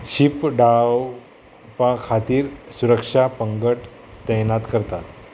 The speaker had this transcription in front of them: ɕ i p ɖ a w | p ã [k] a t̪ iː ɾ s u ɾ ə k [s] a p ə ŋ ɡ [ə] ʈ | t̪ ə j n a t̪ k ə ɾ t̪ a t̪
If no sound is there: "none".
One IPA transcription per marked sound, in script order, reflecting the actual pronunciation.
kʰ, ʂ, ə

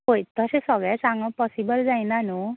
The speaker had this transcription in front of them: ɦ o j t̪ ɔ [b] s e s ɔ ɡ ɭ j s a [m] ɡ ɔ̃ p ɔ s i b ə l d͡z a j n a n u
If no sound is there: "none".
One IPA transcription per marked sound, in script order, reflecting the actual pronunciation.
none, ŋ

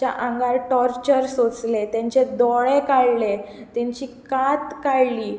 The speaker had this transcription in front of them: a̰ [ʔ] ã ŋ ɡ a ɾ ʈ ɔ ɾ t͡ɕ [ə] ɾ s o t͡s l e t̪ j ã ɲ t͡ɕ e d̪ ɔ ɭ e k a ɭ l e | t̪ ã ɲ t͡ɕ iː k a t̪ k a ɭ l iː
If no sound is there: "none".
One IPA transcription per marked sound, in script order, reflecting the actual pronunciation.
ʔ, ə

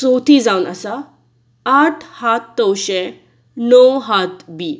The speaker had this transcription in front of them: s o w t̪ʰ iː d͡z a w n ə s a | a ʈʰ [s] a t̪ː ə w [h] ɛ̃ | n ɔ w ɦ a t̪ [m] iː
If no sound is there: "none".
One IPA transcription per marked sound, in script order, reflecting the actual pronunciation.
h, ɕ, b

